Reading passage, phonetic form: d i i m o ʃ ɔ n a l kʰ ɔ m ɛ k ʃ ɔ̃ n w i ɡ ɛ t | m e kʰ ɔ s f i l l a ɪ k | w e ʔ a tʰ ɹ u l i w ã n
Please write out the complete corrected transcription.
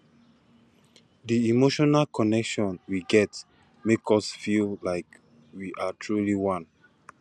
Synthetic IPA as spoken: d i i m o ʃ ɔ n a l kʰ ɔ n ɛ k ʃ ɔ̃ n w i ɡ ɛ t | m e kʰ ɔ s f i l l a ɪ k | w i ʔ a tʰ ɹ u l i w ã n